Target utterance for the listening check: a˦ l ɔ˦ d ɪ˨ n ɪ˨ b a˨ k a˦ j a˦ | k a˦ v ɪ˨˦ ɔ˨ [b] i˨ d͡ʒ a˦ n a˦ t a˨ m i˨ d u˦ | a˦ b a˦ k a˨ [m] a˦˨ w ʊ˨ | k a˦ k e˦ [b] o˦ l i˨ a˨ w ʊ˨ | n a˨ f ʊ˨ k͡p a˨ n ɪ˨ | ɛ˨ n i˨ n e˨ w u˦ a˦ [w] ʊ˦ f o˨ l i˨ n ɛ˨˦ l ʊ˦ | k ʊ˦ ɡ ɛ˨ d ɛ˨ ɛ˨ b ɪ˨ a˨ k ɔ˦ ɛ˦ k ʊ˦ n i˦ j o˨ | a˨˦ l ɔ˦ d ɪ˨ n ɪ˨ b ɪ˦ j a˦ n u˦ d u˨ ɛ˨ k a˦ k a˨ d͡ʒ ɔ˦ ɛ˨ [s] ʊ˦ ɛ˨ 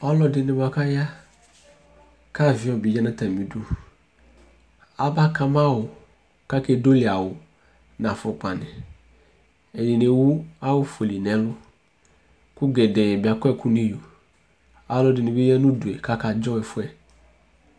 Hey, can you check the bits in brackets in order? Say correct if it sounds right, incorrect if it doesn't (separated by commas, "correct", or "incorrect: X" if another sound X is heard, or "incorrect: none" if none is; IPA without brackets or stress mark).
correct, correct, incorrect: d, correct, incorrect: f